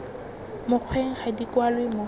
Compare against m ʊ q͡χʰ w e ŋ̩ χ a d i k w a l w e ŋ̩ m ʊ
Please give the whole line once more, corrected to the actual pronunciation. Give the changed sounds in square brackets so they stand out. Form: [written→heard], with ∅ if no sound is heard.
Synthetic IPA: m ʊ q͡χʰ w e ŋ̩ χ a d i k w a l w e [ŋ̩→∅] m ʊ